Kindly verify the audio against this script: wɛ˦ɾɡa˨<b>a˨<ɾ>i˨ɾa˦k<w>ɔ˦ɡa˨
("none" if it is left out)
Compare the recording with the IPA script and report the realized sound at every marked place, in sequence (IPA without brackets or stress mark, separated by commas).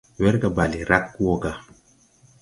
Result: b, l, w